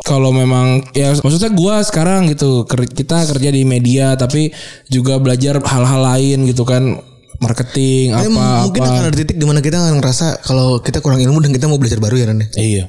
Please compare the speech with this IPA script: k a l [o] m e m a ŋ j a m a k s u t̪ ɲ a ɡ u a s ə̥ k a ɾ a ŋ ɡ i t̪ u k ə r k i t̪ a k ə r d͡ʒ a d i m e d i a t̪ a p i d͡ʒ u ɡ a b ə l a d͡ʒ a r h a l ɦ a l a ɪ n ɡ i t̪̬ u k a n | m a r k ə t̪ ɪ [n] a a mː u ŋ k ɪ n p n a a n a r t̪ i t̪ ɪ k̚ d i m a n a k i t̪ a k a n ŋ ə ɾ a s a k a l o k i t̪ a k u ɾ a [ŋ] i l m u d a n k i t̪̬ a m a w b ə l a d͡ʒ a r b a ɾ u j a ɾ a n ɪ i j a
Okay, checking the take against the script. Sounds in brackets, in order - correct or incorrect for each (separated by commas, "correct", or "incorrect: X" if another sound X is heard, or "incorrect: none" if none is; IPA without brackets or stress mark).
correct, incorrect: ŋ, correct